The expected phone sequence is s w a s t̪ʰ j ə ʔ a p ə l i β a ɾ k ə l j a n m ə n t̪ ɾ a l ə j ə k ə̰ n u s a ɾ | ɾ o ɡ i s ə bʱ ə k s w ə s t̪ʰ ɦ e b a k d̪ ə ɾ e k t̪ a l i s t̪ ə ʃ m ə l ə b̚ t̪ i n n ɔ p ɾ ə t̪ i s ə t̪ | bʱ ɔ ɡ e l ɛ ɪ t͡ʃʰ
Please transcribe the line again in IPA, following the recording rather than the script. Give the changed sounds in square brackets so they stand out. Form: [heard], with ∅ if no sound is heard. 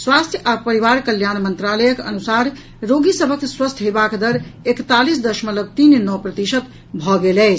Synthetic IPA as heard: s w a s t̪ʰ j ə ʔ a p ə [ɾ] i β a ɾ k ə l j a n m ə n t̪ ɾ a l ə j ə k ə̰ n u s a ɾ | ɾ o ɡ i s ə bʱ ə k s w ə s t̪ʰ ɦ e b a k d̪ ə ɾ e k t̪ a l i s [d̪] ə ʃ m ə l ə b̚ t̪ i n n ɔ p ɾ ə t̪ i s ə t̪ | bʱ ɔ ɡ e l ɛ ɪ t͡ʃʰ